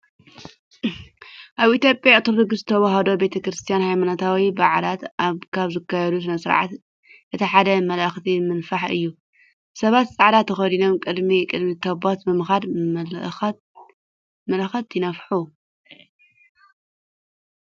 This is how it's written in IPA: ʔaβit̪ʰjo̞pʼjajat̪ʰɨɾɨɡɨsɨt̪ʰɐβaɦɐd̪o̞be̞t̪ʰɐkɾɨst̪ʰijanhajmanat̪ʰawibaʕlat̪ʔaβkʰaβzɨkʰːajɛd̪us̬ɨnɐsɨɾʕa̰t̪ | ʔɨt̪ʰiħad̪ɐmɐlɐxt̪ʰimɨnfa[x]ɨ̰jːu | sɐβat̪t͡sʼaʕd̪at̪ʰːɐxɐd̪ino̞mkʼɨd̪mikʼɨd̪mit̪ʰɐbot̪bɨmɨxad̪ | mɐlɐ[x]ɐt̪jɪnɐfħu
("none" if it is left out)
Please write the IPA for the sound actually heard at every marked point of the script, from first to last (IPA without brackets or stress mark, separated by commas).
ħ, x